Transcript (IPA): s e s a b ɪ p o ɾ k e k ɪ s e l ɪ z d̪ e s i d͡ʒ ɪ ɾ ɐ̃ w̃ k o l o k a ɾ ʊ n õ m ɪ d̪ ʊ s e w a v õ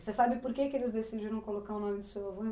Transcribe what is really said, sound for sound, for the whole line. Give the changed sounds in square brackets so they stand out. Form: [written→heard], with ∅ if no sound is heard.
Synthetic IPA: s e s a b ɪ p o ɾ k e k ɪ [s→∅] e l ɪ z d̪ e s i d͡ʒ [ɪ→i] ɾ ɐ̃ w̃ k o l o k a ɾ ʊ n õ m ɪ d̪ ʊ s e w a v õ